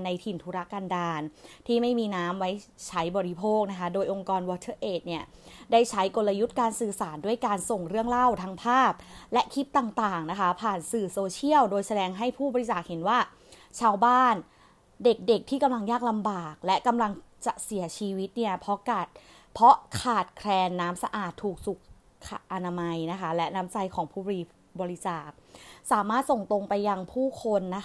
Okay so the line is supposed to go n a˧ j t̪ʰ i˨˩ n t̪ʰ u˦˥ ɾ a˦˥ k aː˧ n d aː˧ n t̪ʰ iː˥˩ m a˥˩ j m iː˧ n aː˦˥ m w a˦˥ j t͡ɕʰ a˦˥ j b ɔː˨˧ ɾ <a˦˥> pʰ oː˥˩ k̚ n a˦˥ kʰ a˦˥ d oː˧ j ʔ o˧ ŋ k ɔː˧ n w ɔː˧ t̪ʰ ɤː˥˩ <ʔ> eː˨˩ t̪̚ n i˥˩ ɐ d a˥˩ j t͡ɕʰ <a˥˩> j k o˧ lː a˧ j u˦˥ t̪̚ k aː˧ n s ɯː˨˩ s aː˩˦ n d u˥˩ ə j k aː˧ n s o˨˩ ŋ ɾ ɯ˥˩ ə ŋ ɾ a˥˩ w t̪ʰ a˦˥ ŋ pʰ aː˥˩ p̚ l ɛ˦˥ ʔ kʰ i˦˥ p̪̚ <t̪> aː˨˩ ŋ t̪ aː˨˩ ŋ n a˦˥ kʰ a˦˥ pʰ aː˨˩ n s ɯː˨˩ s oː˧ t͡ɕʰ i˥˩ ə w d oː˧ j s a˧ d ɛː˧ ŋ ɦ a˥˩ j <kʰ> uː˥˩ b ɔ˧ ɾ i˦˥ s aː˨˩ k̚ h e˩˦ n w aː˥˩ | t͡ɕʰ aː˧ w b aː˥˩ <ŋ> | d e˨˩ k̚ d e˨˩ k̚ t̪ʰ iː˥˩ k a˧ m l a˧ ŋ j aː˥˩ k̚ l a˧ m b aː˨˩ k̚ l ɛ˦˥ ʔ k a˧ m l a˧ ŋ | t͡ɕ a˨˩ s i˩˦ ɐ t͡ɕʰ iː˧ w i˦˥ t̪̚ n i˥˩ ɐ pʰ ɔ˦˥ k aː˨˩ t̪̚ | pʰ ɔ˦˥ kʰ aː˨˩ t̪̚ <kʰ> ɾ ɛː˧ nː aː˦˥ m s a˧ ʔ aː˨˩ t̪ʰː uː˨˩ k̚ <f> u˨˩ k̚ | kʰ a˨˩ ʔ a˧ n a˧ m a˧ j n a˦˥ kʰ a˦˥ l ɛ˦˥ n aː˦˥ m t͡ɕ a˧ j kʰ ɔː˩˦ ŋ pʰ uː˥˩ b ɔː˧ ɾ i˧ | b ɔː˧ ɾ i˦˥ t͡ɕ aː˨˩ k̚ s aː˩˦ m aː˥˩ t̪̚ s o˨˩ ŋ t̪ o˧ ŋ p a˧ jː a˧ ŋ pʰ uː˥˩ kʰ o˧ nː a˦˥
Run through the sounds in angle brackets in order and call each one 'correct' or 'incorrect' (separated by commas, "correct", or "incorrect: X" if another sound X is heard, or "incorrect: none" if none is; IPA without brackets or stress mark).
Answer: incorrect: i˦˥, correct, incorrect: a˦˥, correct, incorrect: pʰ, incorrect: n, correct, incorrect: s